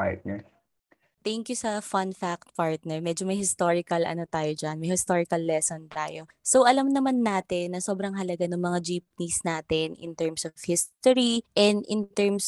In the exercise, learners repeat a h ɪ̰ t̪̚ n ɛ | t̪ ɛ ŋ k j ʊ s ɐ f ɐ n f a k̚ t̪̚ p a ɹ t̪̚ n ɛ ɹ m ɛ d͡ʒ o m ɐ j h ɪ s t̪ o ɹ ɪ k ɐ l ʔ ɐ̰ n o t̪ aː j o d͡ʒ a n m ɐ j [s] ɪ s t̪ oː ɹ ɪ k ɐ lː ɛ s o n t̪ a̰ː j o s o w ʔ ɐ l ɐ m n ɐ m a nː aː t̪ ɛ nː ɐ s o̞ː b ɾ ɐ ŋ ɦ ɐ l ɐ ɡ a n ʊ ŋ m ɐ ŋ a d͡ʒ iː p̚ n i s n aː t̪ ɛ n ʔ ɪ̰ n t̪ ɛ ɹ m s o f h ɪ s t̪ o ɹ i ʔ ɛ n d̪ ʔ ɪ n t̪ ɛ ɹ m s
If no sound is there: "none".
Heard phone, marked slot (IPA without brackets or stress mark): h